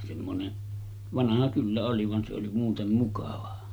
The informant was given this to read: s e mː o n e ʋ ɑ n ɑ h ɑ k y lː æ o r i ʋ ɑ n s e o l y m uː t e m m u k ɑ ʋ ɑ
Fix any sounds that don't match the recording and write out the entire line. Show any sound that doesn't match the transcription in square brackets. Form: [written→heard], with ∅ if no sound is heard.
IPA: s e mː o n e ʋ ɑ n ɑ h ɑ k y lː æ o [r→l] i ʋ ɑ n s e o l [y→i] m uː t e m m u k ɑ ʋ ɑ